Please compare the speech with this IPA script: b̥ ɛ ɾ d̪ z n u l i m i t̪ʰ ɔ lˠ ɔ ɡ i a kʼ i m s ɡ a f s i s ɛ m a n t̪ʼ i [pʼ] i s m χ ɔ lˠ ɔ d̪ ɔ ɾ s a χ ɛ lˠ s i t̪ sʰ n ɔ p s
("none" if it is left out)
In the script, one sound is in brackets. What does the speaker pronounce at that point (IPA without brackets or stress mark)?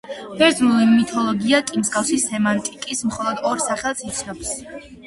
kʼ